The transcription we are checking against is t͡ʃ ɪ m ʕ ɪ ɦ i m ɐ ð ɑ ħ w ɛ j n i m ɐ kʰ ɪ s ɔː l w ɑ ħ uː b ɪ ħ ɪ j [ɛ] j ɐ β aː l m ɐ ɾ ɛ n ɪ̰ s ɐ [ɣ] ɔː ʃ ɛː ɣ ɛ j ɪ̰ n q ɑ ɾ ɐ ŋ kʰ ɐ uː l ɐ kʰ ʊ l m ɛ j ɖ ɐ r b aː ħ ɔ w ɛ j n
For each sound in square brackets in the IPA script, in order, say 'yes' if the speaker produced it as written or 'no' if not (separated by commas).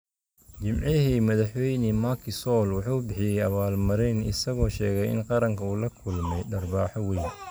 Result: yes, yes